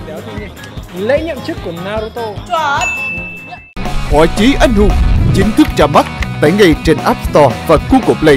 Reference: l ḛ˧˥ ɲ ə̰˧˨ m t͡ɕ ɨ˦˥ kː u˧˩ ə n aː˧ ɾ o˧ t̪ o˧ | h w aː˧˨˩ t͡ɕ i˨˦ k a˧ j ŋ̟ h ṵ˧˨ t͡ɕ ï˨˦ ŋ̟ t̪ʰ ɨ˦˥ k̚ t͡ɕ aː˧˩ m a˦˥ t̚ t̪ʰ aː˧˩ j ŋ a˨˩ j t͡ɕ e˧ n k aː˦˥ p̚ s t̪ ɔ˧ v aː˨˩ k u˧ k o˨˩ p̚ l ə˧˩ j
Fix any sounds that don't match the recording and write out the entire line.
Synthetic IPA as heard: l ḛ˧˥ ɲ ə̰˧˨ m t͡ɕ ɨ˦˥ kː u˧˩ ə n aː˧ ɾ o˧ t̪ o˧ | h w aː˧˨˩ t͡ɕ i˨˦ ʔ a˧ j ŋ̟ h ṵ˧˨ t͡ɕ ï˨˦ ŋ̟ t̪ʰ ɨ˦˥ k̚ t͡ɕ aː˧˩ m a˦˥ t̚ t̪ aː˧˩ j ŋ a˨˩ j t͡ɕ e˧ n ʔ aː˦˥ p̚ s t̪ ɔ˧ v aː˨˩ k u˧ k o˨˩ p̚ l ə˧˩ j